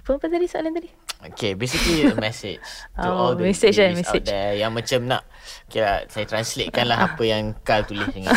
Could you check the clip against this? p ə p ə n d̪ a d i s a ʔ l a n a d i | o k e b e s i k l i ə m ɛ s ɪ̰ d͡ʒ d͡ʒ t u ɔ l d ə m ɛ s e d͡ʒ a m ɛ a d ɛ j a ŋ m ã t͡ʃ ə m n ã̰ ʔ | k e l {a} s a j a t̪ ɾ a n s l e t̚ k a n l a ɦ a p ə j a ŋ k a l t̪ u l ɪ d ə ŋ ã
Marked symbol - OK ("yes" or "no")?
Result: yes